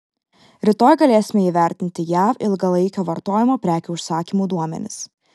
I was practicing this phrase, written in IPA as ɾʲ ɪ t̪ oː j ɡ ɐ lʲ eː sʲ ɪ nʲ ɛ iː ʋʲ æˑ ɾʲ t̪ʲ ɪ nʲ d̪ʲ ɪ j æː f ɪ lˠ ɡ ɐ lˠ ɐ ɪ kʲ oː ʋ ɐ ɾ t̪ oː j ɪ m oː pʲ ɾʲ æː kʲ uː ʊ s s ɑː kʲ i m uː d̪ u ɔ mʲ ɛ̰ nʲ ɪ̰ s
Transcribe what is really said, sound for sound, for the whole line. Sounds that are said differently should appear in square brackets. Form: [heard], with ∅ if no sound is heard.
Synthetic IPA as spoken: ɾʲ ɪ t̪ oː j ɡ ɐ lʲ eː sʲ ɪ [mʲ] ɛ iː ʋʲ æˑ ɾʲ t̪ʲ ɪ nʲ [t̪ʲ] ɪ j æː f ɪ lˠ ɡ ɐ lˠ ɐ ɪ kʲ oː ʋ ɐ ɾ t̪ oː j ɪ m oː pʲ ɾʲ æː kʲ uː ʊ [ʃ] s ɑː kʲ i m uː d̪ u ɔ mʲ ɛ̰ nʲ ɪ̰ s

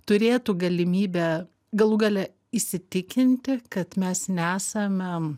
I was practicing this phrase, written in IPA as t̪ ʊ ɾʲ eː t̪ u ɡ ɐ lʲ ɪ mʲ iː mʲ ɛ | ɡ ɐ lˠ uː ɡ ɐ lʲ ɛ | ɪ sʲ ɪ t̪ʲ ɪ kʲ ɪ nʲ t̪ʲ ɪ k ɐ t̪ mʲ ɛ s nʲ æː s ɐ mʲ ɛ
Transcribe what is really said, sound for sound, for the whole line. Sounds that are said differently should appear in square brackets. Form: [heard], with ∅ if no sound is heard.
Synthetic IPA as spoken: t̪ ʊ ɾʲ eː t̪ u ɡ ɐ lʲ ɪ mʲ iː [bʲ] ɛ | ɡ ɐ lˠ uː ɡ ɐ lʲ ɛ | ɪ sʲ ɪ t̪ʲ ɪ kʲ ɪ nʲ t̪ʲ ɪ k ɐ t̪ mʲ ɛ s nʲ æː s ɐ mʲ ɛ

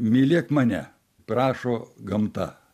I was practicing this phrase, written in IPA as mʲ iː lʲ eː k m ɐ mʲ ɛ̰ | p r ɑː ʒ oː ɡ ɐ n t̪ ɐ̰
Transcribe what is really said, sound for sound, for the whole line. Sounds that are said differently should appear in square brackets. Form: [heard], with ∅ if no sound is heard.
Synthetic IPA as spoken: mʲ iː lʲ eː k m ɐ [nʲ] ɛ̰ | p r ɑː [ʃ] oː ɡ ɐ [m] t̪ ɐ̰

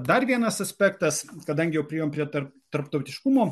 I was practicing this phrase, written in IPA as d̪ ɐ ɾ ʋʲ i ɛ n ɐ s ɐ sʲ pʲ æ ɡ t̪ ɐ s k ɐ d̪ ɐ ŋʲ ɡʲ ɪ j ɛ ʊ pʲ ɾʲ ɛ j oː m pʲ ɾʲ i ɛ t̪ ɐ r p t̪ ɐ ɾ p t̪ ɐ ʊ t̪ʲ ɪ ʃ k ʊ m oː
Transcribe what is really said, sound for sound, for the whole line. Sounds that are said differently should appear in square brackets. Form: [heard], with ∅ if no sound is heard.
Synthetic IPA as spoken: d̪ ɐ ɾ ʋʲ i ɛ n ɐ s ɐ sʲ pʲ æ [k] t̪ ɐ s k ɐ d̪ ɐ ŋʲ ɡʲ ɪ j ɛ ʊ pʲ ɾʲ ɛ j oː m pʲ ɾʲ i ɛ t̪ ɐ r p t̪ ɐ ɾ p t̪ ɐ ʊ t̪ʲ ɪ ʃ k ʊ m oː

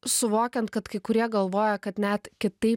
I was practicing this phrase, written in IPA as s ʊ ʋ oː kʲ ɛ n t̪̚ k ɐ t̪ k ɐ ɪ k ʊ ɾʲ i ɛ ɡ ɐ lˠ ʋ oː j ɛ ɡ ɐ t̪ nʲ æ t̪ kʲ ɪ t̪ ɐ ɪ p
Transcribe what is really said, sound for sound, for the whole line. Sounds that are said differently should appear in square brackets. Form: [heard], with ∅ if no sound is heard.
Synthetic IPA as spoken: s ʊ ʋ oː kʲ ɛ n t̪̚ k ɐ t̪ k ɐ ɪ k ʊ ɾʲ i ɛ ɡ ɐ lˠ ʋ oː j ɛ [k] ɐ t̪ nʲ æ t̪ kʲ ɪ t̪ ɐ ɪ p

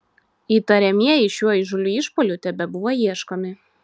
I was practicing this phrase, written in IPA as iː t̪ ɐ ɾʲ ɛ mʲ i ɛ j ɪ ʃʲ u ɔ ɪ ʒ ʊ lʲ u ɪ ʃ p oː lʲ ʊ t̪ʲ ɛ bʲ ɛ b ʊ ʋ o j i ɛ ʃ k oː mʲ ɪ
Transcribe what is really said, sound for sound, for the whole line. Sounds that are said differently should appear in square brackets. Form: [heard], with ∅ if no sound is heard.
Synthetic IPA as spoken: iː t̪ ɐ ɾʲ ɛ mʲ i ɛ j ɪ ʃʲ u ɔ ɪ ʒ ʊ lʲ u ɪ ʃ p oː lʲ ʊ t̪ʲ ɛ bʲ ɛ b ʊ ʋ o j i ɛ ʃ k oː mʲ ɪ

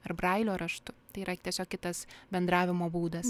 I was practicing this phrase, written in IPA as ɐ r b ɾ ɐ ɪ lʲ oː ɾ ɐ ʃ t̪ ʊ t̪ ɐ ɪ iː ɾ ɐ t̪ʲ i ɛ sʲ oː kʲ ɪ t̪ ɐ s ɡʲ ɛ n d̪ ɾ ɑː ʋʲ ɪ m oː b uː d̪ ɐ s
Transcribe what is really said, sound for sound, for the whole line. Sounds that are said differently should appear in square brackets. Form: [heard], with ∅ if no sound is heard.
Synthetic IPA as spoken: ɐ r b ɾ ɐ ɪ lʲ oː ɾ ɐ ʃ t̪ ʊ t̪ ɐ ɪ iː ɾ ɐ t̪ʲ i ɛ sʲ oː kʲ ɪ t̪ ɐ s [bʲ] ɛ n d̪ ɾ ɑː ʋʲ ɪ m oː b uː d̪ ɐ s

